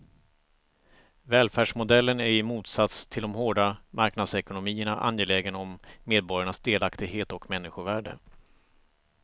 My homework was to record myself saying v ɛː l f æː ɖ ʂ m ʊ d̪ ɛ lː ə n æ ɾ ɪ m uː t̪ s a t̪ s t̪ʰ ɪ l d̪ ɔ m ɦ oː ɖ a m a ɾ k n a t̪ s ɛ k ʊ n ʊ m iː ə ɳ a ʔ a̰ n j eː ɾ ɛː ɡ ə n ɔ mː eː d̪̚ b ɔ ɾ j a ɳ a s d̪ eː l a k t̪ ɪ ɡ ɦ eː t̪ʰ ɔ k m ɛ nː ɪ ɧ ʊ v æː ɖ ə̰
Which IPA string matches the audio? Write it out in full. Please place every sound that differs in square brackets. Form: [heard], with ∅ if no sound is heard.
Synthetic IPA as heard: v ɛː l f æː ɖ ʂ m ʊ d̪ ɛ lː ə n æ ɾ ɪ m uː t̪ s a t̪ s t̪ʰ ɪ l d̪ ɔ m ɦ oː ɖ a m a ɾ k n a [d̪] s ɛ k ʊ n ʊ m iː ə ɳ a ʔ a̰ n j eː [l] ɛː ɡ ə n ɔ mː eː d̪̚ b ɔ ɾ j a ɳ a s d̪ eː l a k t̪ ɪ ɡ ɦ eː [t̪] ɔ k m ɛ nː ɪ ɧ ʊ v æː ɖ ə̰